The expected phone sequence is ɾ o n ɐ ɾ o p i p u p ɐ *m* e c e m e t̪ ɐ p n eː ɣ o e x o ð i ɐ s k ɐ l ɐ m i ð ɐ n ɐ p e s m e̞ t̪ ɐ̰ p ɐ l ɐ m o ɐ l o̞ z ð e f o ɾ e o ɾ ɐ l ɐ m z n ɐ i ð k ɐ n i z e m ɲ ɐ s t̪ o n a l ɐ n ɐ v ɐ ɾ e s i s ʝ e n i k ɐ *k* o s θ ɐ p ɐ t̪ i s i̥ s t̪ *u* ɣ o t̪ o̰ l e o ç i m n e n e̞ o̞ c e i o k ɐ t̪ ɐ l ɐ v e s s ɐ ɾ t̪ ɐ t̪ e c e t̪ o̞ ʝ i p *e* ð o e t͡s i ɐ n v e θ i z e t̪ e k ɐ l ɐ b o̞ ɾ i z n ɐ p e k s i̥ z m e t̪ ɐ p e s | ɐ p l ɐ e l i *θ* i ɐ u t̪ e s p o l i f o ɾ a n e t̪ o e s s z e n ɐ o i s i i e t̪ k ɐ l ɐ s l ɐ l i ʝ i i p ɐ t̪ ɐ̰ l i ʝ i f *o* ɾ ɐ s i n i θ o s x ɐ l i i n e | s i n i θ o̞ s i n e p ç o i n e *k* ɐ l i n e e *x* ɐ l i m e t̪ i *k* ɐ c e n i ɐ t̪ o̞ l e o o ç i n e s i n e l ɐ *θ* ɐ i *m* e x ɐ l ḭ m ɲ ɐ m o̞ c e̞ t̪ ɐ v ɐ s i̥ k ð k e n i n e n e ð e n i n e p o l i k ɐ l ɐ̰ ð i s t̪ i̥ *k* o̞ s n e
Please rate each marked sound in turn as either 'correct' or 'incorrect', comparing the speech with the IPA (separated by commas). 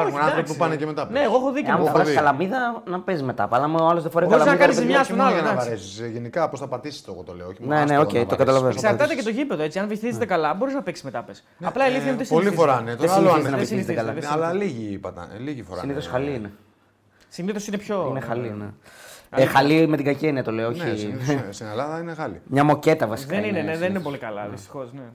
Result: incorrect, incorrect, incorrect, correct, correct, correct, incorrect, correct, incorrect, incorrect, incorrect, incorrect